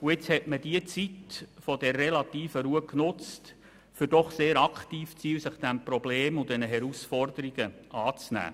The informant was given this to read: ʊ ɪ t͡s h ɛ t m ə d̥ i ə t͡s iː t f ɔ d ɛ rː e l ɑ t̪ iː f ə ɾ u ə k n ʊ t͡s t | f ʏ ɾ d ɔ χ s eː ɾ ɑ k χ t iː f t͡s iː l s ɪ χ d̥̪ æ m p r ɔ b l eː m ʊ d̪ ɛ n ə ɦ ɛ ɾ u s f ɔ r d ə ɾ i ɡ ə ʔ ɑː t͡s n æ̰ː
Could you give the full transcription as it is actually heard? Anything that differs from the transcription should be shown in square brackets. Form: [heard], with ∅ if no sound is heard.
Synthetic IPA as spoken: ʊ ɪ t͡s h ɛ t m ə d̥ i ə t͡s [i] t f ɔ d ɛ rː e l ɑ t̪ iː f ə ɾ u ə k n ʊ t͡s t | f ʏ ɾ d ɔ χ s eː ɾ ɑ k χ t iː f t͡s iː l s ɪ χ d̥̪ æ m p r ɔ b l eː m ʊ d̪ ɛ n ə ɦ ɛ ɾ u s f ɔ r d ə ɾ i ɡ ə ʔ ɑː t͡s n æ̰ː